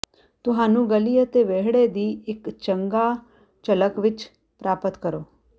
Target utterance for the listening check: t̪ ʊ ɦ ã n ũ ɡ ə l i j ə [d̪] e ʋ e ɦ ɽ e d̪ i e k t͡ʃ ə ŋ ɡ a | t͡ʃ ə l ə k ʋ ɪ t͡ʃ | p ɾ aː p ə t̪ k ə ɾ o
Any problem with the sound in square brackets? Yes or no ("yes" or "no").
yes